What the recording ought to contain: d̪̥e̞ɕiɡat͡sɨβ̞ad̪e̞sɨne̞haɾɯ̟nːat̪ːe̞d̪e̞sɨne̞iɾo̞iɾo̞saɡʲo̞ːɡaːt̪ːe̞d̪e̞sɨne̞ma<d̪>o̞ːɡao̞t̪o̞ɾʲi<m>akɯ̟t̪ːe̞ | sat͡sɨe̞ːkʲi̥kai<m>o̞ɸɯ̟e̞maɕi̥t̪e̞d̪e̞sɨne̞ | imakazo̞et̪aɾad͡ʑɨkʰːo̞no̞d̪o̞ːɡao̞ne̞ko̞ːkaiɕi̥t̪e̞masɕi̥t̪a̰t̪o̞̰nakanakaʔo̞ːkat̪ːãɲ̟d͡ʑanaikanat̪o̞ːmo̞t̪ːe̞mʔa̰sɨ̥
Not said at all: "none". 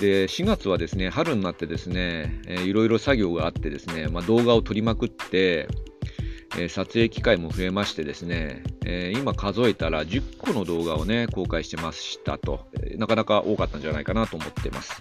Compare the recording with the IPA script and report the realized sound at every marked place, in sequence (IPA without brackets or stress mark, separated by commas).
d̪, m, m